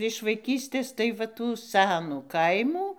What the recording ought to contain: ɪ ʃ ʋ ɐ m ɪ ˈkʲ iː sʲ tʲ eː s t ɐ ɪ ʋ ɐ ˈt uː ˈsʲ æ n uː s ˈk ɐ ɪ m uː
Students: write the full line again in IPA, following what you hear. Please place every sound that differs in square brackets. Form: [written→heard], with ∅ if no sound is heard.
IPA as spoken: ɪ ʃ ʋ ɐ [m→∅] ɪ ˈkʲ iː sʲ tʲ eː s t ɐ ɪ ʋ ɐ ˈt uː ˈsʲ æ n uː [s→∅] ˈk ɐ ɪ m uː